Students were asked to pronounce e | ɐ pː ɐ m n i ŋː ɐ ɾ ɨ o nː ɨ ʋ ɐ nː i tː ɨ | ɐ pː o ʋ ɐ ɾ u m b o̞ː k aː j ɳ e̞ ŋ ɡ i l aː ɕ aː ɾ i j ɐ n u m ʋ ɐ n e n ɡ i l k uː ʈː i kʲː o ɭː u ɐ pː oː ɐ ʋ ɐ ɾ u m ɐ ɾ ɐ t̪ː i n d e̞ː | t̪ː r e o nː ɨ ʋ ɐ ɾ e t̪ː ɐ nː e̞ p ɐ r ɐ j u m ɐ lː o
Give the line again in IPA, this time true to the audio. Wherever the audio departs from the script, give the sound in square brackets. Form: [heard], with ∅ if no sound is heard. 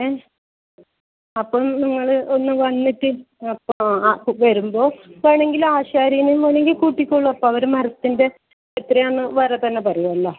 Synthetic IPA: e | ɐ pː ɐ m n i ŋː ɐ [ɭ] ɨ o nː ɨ ʋ ɐ nː i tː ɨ | ɐ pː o ʋ ɐ ɾ u m b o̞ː k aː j ɳ e̞ ŋ ɡ i l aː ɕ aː ɾ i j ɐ n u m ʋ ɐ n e [ŋ] ɡ i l k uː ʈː i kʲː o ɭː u ɐ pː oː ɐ ʋ ɐ ɾ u m ɐ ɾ ɐ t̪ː i n d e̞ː | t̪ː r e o nː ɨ ʋ ɐ ɾ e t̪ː ɐ nː e̞ p ɐ r ɐ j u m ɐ lː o